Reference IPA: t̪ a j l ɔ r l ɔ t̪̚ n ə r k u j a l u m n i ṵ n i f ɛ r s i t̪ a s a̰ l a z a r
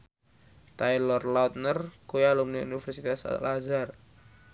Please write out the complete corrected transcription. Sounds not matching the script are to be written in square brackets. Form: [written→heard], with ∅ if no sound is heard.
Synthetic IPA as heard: t̪ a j l ɔ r l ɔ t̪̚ n ə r k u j a l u m n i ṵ n i f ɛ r s i t̪ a s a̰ l a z a r